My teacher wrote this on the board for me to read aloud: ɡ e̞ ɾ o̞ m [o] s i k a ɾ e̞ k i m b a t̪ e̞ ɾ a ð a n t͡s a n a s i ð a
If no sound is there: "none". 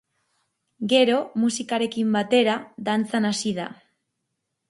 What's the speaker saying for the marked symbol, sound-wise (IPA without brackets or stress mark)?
u